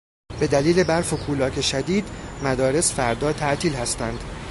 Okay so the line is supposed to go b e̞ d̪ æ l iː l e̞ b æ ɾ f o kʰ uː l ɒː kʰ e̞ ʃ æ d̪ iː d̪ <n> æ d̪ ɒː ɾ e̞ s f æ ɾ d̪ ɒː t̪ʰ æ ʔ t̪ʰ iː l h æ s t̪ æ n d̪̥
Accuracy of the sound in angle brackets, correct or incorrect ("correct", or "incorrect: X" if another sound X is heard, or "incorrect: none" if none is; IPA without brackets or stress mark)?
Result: incorrect: m